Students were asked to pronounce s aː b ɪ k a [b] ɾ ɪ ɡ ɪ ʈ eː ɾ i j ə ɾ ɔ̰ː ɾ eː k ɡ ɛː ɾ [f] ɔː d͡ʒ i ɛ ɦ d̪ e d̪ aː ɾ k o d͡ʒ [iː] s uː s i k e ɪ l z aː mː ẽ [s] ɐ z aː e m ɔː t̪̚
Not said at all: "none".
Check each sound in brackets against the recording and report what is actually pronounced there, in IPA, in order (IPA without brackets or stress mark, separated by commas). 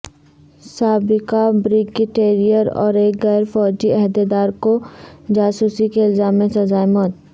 b, f, aː, s